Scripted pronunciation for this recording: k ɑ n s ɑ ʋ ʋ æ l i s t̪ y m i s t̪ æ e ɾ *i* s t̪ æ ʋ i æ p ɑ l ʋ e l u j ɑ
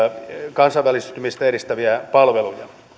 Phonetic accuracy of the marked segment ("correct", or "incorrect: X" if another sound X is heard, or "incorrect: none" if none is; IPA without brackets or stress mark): correct